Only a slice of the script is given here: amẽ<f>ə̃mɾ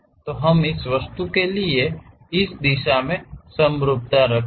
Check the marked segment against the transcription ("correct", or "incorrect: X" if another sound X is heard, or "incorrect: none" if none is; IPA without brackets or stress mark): incorrect: s